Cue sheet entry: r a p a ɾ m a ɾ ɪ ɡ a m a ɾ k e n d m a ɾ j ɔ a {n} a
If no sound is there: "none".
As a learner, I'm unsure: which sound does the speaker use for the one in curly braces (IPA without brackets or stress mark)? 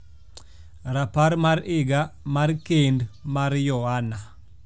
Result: n